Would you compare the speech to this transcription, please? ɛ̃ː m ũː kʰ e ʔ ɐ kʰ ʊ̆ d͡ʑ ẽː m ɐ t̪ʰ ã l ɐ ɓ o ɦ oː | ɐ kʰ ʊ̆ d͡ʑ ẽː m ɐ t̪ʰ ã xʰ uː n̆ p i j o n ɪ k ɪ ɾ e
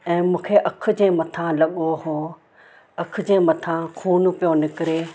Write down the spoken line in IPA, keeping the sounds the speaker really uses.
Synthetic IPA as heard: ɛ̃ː m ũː kʰ e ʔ ɐ kʰ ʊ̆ d͡ʑ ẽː m ɐ t̪ʰ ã l ɐ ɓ o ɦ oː | ɐ kʰ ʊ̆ d͡ʑ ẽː m ɐ t̪ʰ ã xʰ uː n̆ p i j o n ɪ k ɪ ɾ e